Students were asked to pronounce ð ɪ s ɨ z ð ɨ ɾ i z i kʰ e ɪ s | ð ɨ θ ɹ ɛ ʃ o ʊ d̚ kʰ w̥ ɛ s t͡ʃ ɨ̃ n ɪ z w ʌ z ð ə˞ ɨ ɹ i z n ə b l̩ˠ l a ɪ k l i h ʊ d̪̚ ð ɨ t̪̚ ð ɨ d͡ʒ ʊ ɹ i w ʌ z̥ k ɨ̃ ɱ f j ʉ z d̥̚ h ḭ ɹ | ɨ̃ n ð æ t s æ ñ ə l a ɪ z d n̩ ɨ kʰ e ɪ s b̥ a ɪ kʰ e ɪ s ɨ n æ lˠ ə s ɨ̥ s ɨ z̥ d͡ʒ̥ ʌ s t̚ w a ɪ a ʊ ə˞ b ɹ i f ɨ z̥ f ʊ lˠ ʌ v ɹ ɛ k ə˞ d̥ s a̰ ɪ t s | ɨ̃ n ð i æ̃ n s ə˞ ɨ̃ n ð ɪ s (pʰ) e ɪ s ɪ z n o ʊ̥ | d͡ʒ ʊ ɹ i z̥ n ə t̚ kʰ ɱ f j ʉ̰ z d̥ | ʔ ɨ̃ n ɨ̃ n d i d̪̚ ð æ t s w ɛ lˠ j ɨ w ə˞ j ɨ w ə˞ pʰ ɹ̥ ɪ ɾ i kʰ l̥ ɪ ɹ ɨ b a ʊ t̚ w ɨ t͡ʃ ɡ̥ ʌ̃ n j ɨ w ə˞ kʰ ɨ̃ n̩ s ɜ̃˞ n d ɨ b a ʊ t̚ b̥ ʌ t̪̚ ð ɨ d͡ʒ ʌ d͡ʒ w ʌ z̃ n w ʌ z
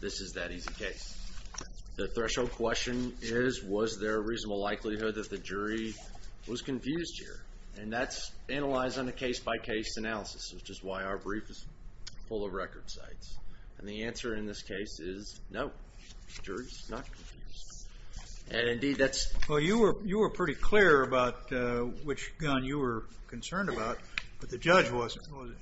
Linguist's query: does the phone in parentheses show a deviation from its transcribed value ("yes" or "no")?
yes